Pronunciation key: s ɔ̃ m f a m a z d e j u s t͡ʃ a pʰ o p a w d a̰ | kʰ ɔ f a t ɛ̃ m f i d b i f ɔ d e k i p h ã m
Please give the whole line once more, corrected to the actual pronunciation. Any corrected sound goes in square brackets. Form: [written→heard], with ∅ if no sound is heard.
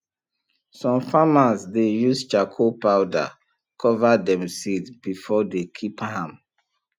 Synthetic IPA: s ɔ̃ m f a m a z d e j u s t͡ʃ a [pʰ→kʰ] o p a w d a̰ | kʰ ɔ [f→v] a [t→d] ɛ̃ m [f→s] i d b i f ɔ d e [k→kʰ] i p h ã m